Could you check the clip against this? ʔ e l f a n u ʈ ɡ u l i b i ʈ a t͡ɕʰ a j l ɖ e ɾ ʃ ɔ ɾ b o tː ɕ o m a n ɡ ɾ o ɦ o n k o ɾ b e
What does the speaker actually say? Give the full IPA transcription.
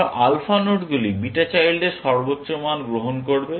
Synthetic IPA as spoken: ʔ a l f a n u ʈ ɡ u l i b i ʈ a t͡ɕ a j l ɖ e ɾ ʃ ɔ ɾ b o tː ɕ o m a n ɡ ɾ o ɦ o n k o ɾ b e